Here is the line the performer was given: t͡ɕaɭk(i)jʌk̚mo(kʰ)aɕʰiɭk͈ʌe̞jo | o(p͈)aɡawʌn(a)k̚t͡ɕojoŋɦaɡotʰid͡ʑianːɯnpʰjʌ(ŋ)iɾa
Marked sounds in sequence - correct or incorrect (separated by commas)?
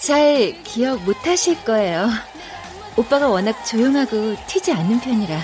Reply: correct, incorrect, correct, correct, incorrect